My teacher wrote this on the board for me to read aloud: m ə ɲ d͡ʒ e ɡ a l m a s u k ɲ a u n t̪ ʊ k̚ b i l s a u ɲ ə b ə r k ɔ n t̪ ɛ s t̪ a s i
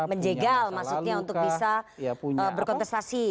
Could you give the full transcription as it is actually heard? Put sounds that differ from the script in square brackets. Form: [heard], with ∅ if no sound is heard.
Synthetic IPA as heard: m ə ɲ d͡ʒ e ɡ a l m a s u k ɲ a u n t̪ ʊ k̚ b i [∅] s a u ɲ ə b ə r k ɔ n t̪ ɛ s t̪ a s i